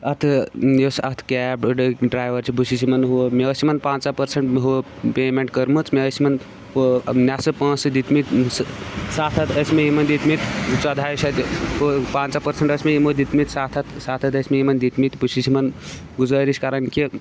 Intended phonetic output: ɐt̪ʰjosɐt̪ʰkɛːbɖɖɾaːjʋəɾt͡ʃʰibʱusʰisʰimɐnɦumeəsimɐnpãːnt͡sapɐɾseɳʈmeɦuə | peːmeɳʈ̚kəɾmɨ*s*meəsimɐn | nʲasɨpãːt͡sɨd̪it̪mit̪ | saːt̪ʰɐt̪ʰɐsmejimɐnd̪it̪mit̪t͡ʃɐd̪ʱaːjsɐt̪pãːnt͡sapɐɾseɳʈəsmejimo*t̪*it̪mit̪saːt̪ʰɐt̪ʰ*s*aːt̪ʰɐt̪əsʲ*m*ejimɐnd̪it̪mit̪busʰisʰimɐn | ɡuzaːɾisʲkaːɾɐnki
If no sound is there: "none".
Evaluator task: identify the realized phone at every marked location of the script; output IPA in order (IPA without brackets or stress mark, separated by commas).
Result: t͡s, d̪, s, m